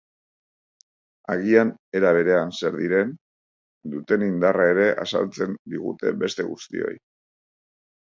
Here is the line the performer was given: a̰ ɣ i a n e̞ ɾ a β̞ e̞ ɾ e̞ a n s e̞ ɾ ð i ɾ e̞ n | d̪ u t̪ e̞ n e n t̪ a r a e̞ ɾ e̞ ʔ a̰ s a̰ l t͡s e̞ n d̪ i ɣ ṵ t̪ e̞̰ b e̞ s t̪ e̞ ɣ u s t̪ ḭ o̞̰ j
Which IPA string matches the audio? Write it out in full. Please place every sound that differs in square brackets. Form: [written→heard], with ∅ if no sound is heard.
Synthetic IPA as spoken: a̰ ɣ i a n e̞ ɾ a β̞ e̞ ɾ e̞ a n s e̞ ɾ ð i ɾ e̞ n | d̪ u t̪ e̞ n [e→i] n [t̪→d̪] a r a e̞ ɾ e̞ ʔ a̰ s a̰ l t͡s e̞ n d̪ i ɣ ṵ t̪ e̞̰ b e̞ s t̪ e̞ ɣ u s t̪ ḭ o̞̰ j